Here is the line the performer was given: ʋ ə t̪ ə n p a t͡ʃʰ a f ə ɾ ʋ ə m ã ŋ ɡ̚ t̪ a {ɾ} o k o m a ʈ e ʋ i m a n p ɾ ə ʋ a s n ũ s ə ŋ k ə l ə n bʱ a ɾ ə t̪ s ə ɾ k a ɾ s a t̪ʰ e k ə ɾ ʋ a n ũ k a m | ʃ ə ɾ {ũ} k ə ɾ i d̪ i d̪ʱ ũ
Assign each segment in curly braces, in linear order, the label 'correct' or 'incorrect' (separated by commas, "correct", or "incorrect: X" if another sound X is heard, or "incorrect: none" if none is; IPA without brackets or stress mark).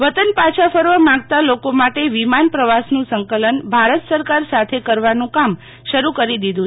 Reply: incorrect: l, incorrect: u